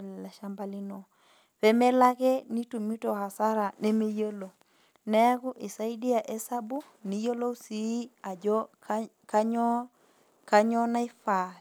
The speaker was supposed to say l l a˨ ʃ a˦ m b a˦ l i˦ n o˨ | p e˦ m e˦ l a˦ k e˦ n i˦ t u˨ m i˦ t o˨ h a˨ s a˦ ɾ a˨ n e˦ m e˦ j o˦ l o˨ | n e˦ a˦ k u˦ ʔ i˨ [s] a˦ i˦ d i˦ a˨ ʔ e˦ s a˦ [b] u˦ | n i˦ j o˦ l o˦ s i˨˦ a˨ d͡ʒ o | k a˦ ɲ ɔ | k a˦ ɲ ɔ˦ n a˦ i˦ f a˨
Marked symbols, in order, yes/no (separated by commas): yes, yes